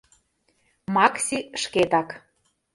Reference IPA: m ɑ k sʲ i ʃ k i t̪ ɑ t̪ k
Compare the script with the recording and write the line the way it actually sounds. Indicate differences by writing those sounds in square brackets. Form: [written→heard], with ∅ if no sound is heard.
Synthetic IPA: m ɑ k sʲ i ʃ k [i→e] t̪ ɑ [t̪→∅] k

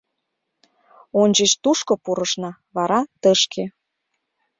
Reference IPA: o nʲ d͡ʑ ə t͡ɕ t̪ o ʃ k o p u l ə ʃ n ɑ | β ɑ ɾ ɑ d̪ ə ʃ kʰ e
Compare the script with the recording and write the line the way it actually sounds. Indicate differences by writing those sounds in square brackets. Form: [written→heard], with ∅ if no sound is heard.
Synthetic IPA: o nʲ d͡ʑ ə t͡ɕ t̪ [o→u] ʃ k o p u [l→ɾ] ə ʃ n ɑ | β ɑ ɾ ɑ [d̪→t̪] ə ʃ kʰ e

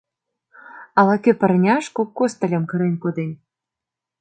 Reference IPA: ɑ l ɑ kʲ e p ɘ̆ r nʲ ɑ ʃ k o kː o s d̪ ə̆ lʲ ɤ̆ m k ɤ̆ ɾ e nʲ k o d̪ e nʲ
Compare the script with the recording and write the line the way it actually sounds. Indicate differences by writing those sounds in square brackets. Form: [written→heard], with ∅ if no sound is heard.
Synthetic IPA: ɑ l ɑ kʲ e p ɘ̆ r nʲ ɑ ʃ k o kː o s [d̪→t̪] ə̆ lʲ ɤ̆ m k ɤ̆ ɾ e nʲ k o d̪ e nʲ

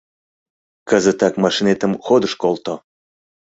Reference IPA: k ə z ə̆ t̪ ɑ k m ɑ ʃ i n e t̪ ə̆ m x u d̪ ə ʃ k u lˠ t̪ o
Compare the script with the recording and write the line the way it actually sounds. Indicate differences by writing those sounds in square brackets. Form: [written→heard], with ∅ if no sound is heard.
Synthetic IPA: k ə z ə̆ t̪ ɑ k m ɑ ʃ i n e t̪ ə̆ m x [u→o] d̪ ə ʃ k [u→o] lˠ t̪ o

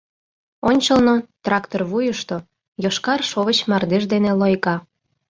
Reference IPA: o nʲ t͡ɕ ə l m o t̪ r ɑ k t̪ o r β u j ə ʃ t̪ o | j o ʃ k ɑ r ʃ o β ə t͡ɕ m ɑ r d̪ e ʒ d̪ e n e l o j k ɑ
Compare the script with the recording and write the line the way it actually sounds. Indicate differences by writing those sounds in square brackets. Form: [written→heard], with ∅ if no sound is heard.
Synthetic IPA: o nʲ t͡ɕ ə l [m→n] o t̪ r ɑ k t̪ o r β u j ə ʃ t̪ o | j o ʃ k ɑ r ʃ o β ə t͡ɕ m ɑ r d̪ e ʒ d̪ e n e l o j k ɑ

